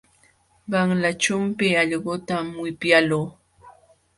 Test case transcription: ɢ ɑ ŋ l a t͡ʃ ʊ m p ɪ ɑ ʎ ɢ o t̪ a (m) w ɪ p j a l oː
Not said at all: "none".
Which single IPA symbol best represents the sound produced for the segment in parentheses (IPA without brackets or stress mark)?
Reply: m